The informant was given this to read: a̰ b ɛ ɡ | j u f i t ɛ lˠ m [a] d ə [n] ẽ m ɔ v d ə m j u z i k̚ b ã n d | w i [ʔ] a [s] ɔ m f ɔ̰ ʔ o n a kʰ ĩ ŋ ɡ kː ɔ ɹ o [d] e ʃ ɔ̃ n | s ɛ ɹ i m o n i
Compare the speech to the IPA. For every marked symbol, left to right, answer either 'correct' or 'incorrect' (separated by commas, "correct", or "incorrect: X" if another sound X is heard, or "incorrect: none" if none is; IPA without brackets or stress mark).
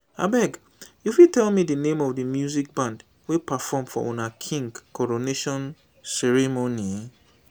incorrect: i, correct, incorrect: p, incorrect: f, incorrect: n